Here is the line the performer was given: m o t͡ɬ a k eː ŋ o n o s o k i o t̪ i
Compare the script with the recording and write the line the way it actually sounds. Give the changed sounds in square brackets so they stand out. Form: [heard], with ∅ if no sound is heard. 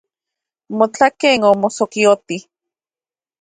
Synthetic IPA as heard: m o t͡ɬ a k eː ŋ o [m] o s o k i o t̪ i